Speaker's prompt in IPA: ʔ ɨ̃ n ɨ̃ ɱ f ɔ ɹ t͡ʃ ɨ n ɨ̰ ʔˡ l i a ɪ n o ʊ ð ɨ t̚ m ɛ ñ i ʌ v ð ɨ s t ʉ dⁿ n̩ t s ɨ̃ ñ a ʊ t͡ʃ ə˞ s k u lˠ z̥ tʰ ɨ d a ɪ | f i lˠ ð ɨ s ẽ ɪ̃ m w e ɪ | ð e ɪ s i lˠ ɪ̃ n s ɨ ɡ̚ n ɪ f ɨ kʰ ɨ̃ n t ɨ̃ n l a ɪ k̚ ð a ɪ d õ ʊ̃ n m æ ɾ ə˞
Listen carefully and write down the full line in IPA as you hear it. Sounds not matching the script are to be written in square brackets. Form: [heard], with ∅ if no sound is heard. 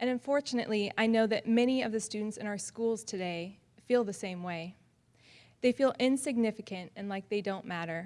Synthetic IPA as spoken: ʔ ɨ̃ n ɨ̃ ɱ f ɔ ɹ t͡ʃ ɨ n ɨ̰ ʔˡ l i a ɪ n o ʊ ð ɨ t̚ m ɛ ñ i ʌ v ð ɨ s t ʉ dⁿ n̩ t s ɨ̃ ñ a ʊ [∅] ə˞ s k u lˠ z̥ tʰ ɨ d [e] ɪ | f i lˠ ð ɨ s ẽ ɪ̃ m w e ɪ | ð e ɪ [f] i lˠ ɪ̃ n s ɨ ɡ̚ n ɪ f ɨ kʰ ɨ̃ n t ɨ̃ n l a ɪ k̚ ð [e] ɪ d õ ʊ̃ n m æ ɾ ə˞